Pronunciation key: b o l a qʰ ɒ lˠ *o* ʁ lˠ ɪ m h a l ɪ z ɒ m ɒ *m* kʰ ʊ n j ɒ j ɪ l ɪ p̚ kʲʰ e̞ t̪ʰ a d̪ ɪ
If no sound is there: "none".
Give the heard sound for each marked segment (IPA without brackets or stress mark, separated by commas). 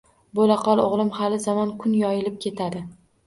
o, n